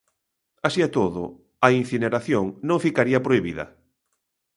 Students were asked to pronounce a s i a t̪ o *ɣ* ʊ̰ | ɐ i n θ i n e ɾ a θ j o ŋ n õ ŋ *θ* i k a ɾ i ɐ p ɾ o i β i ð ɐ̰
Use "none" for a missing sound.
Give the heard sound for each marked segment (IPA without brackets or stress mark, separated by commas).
ð, f